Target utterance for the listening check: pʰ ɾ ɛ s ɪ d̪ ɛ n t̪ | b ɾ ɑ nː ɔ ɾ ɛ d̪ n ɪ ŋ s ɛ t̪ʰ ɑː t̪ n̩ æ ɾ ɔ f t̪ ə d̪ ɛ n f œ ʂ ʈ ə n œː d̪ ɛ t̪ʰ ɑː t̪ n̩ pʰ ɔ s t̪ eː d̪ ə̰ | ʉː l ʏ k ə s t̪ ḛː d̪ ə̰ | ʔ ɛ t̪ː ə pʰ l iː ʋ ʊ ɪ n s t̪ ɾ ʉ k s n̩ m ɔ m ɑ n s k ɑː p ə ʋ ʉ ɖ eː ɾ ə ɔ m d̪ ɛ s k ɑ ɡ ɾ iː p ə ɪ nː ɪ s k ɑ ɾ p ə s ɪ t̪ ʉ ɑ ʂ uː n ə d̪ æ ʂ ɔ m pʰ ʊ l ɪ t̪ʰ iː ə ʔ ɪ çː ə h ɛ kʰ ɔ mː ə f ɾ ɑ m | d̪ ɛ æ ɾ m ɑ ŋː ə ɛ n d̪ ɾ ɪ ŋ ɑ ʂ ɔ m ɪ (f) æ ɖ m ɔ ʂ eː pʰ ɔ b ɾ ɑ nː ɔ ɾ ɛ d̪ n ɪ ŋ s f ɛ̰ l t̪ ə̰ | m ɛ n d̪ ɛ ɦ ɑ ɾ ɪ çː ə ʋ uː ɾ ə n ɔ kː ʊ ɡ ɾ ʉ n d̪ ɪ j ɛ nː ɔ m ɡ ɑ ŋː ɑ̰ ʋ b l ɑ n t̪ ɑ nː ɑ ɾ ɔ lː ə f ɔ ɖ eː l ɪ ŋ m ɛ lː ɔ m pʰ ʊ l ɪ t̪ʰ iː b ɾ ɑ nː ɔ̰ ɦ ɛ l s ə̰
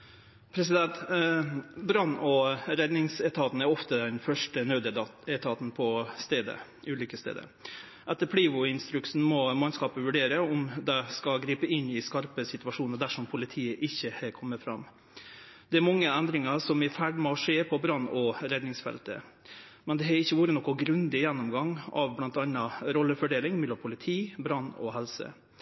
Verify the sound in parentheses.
correct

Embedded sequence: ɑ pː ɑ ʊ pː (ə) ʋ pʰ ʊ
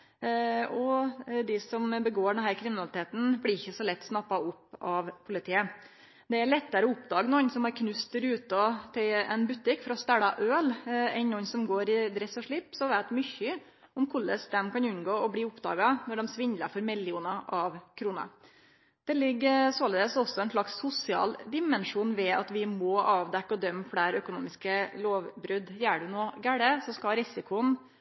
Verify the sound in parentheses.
incorrect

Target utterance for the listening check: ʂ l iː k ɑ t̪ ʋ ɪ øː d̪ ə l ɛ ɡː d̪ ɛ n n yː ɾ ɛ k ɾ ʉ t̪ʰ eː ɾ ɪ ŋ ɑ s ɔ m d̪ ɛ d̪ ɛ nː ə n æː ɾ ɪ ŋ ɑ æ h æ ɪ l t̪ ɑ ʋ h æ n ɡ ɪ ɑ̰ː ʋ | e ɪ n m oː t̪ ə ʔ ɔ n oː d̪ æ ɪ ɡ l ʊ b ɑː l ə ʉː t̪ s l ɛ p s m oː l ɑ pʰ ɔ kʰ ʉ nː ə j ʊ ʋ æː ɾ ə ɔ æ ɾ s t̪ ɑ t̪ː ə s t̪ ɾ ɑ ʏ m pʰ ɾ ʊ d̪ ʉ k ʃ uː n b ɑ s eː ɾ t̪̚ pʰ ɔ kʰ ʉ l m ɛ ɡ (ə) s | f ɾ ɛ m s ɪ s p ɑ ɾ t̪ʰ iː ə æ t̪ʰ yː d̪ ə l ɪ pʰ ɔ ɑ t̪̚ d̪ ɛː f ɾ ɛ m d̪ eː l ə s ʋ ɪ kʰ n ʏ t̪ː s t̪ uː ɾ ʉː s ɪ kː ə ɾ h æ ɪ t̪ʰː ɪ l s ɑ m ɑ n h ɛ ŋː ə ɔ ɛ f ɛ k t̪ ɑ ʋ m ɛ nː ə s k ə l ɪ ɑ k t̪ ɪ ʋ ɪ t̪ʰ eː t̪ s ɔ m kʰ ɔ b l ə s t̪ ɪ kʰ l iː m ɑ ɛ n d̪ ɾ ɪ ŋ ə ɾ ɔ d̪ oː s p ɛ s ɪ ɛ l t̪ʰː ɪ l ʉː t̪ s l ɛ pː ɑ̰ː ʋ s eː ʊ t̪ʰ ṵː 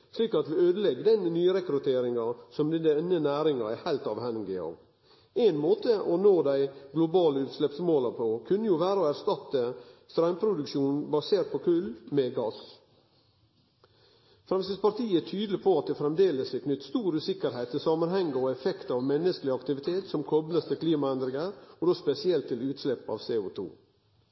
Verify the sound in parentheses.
incorrect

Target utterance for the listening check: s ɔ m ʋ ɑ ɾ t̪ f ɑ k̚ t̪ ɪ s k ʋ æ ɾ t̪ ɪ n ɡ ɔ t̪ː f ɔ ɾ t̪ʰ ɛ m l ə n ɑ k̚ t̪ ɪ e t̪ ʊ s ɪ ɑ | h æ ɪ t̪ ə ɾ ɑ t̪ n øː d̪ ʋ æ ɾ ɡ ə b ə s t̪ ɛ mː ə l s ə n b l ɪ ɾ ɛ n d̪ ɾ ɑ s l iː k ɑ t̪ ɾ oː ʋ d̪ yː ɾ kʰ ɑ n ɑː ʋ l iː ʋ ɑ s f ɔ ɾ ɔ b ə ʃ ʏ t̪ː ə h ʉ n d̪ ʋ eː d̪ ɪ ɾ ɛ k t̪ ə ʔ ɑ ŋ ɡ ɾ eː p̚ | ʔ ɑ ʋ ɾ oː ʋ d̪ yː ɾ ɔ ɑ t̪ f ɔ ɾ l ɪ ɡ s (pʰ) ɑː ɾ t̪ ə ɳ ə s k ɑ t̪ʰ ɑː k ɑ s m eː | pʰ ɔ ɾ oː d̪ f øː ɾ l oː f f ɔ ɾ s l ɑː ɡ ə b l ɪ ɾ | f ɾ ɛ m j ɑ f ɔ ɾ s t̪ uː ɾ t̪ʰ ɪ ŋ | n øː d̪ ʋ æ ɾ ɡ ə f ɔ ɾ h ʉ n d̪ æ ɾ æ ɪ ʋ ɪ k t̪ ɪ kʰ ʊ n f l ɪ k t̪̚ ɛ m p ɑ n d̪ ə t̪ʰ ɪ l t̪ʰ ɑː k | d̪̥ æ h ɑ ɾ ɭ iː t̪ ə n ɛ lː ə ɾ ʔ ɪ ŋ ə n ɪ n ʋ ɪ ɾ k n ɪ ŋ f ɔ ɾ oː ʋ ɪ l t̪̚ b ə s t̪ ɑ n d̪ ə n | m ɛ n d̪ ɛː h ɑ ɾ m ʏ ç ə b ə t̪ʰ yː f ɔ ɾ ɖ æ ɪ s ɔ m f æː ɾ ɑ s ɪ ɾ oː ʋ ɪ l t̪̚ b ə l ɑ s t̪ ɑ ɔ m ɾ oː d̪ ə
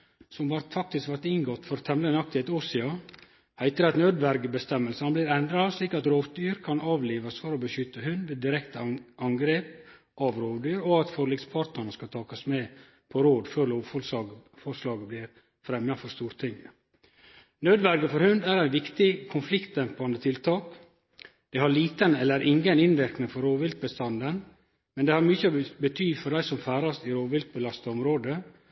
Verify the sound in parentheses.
correct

